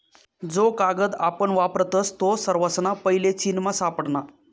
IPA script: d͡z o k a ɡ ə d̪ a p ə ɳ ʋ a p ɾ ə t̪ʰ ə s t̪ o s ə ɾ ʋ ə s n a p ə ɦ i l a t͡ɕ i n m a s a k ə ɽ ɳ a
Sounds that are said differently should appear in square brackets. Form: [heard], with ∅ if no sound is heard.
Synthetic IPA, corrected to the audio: d͡z o k a ɡ ə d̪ a p ə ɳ ʋ a p ɾ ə [t̪] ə s t̪ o s ə ɾ ʋ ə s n a p ə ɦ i l [e] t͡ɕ i n m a s a [p] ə ɽ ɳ a